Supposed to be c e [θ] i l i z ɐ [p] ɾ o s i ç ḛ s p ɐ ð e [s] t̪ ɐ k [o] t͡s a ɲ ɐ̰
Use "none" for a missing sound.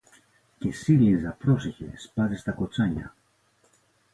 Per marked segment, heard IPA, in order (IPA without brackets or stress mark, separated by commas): s, p, s, o